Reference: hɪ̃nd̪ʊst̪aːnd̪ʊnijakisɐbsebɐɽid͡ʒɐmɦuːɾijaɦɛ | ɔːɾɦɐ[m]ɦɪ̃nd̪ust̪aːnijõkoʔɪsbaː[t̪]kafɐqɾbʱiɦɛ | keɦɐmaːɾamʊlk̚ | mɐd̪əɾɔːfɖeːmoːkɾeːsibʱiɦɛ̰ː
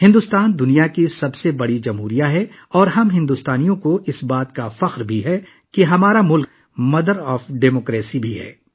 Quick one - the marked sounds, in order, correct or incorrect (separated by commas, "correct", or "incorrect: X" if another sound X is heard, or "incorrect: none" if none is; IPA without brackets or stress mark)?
correct, correct